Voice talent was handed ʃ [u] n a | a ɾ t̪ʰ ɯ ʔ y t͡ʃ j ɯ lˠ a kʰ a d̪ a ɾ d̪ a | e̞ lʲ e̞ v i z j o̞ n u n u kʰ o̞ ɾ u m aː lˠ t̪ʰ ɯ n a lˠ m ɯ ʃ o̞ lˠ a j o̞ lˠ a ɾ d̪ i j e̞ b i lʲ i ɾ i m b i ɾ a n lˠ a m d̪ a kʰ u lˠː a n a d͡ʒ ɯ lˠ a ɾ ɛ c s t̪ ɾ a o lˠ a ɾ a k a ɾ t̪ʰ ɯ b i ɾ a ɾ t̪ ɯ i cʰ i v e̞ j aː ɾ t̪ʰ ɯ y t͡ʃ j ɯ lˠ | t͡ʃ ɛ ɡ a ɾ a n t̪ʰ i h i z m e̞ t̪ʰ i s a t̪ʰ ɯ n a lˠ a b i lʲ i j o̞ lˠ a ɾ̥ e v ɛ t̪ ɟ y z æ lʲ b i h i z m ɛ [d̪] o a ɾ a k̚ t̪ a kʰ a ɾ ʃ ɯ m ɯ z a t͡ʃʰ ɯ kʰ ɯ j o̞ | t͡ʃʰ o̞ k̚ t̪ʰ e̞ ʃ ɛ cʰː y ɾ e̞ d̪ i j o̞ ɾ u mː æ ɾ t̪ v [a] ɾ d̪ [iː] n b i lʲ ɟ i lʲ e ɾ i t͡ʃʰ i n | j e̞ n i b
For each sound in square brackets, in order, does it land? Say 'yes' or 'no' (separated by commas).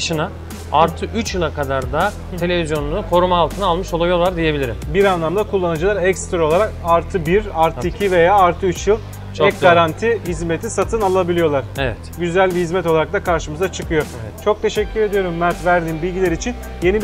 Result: no, no, no, yes